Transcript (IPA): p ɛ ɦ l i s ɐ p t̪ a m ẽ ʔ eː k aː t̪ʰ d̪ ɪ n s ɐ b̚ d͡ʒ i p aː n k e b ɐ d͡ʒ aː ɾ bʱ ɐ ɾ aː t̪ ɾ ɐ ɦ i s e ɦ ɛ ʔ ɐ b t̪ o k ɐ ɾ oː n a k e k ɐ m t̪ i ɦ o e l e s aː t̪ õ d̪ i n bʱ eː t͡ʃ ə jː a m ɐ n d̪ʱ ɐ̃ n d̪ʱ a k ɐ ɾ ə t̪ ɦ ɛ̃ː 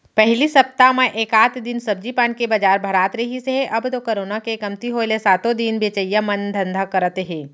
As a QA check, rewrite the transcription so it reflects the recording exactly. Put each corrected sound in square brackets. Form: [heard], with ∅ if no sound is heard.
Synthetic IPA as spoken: p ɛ ɦ l i s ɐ p t̪ a m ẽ ʔ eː k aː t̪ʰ d̪ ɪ n s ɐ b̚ d͡ʒ i p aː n k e b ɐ d͡ʒ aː ɾ bʱ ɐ ɾ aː t̪ ɾ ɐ ɦ i s e ɦ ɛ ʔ ɐ b t̪ o k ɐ ɾ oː n a k e k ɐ m t̪ i ɦ o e l e s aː t̪ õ d̪ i n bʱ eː t͡ʃ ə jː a m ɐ n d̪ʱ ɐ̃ n d̪ʱ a k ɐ ɾ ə t̪ ɦ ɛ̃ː

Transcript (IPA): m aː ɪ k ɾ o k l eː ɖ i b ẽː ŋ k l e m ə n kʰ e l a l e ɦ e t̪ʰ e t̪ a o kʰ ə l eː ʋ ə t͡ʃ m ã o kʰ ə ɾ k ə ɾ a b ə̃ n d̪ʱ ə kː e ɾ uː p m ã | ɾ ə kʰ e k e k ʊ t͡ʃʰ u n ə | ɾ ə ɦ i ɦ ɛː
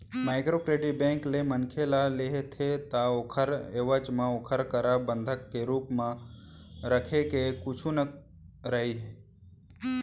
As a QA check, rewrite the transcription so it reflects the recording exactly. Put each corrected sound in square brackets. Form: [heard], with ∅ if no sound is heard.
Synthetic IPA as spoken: m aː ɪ k ɾ o k [ɾ] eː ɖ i b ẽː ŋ k l e m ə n kʰ e l a l e ɦ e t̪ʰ e t̪ a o kʰ ə [ɾ] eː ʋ ə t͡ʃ m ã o kʰ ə ɾ k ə ɾ a b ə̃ n d̪ʱ ə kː e ɾ uː p m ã | ɾ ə kʰ e k e k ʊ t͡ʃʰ u n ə | ɾ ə ɦ i ɦ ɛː

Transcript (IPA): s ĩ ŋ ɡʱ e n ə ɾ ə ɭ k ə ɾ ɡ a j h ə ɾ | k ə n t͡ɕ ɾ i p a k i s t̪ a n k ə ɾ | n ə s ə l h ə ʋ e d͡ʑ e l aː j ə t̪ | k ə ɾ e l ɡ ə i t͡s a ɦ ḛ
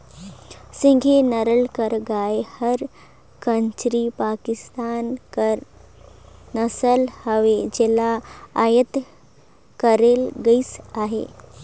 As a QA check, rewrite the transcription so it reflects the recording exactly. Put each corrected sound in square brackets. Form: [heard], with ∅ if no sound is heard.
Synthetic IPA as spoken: s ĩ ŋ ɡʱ e n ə ɾ ə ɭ k ə ɾ ɡ a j h ə ɾ | k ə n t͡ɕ ɾ i p a k i s t̪ a n k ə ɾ | n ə s ə l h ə ʋ e d͡ʑ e l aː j ə t̪ | k ə ɾ e l ɡ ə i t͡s a ɦ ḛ

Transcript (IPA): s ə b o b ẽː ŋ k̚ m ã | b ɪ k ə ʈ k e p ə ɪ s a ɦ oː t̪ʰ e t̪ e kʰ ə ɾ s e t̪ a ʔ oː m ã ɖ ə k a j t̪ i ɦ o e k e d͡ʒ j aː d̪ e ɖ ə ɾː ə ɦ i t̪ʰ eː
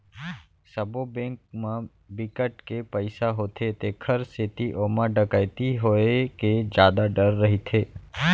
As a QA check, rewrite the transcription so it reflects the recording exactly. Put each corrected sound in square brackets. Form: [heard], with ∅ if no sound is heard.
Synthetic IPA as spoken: s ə b o b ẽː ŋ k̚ m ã | b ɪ k ə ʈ k e p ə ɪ s a ɦ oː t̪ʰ e t̪ e kʰ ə ɾ s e t̪ [i] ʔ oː m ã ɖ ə k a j t̪ i ɦ o e k e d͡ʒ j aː d̪ [a] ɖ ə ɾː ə ɦ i t̪ʰ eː

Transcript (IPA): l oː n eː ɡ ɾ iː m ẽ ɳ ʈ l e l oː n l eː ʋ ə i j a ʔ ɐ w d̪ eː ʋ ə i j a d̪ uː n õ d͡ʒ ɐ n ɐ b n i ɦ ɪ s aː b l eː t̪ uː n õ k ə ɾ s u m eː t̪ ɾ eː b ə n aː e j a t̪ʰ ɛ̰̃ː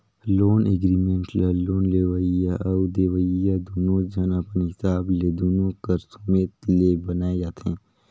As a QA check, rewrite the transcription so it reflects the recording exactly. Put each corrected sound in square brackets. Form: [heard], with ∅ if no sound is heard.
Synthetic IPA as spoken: l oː n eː ɡ ɾ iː m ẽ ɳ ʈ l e l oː n l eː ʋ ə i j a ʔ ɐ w d̪ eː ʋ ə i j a d̪ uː n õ d͡ʒ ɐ n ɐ [p] n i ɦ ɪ s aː b l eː [d̪] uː n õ k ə ɾ s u m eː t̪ [l] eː b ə n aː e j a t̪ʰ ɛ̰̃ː

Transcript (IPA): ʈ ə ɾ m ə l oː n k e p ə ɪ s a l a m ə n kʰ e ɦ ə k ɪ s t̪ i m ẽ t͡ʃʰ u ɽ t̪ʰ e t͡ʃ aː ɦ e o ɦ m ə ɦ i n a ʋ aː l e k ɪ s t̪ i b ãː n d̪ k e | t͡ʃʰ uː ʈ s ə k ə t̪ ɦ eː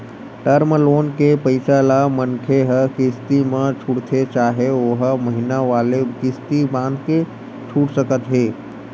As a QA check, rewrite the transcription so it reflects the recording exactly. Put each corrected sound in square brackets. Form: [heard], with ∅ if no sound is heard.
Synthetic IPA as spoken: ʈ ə ɾ m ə l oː n k e p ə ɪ s a l a m ə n kʰ e ɦ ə k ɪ s t̪ i m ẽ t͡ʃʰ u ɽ t̪ʰ e t͡ʃ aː ɦ e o ɦ m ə ɦ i n a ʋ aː l e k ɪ s t̪ i b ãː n d̪ k e | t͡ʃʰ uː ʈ s ə k ə t̪ ɦ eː

